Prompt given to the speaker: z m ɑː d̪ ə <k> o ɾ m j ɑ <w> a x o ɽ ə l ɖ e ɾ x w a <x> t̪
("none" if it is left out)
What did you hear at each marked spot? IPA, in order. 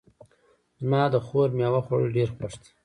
x, w, ʂ

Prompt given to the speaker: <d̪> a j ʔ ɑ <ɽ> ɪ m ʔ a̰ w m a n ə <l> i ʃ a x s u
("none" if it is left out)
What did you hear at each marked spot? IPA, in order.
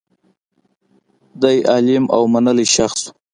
d̪, l, l

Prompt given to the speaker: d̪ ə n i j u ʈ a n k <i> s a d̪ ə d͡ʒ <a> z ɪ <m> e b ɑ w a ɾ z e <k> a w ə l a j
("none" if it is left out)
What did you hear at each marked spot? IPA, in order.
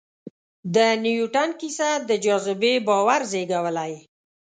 i, ɑ, b, ɡ

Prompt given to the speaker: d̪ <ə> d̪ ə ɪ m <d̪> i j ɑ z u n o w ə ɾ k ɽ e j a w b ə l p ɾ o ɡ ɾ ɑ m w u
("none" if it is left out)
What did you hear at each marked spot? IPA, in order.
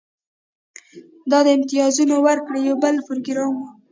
ɑ, t̪

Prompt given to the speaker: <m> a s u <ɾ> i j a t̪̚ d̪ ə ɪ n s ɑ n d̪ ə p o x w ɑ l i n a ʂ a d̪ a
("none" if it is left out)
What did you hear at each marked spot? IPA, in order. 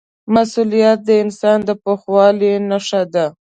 m, l

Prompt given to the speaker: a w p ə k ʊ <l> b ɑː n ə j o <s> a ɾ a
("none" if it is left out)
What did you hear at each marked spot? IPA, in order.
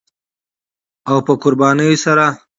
ɾ, s

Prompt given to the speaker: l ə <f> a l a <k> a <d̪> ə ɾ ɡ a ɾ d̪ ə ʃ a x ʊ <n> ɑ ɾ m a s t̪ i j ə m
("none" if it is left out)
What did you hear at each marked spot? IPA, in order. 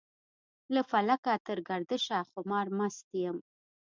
f, k, t̪, m

